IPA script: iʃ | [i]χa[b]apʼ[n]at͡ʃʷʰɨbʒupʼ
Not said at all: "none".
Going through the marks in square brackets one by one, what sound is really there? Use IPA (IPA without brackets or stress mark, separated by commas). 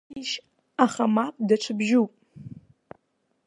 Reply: a, m, d